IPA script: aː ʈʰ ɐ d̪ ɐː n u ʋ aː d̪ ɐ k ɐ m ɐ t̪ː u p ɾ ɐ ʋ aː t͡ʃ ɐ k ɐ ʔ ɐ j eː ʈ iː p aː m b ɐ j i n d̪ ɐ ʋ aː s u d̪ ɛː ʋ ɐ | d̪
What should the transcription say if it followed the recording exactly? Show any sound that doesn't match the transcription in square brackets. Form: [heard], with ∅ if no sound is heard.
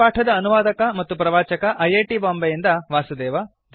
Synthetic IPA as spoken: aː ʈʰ ɐ d̪ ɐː n u ʋ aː d̪ ɐ k ɐ m ɐ t̪ː u p ɾ ɐ ʋ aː t͡ʃ ɐ k ɐ ʔ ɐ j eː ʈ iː [b] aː m b ɐ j i n d̪ ɐ ʋ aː s u d̪ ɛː ʋ ɐ | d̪